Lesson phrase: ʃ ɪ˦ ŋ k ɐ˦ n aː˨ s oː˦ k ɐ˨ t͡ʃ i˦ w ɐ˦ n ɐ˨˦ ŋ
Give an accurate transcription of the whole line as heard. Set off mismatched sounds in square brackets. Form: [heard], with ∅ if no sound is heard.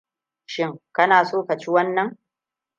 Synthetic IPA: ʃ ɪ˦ ŋ k ɐ˦ n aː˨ s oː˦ k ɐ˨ t͡ʃ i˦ w ɐ˦ [nː] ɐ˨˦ ŋ